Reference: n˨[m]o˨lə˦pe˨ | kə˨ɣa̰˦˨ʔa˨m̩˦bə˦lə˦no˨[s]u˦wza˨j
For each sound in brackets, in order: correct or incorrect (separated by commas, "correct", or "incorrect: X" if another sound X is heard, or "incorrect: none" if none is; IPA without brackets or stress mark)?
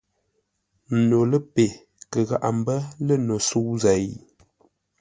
incorrect: n, correct